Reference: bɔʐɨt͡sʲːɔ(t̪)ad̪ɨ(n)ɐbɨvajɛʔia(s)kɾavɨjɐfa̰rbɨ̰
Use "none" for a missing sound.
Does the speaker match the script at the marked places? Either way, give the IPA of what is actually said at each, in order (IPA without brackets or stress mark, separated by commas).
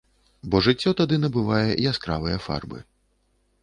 t̪, n, s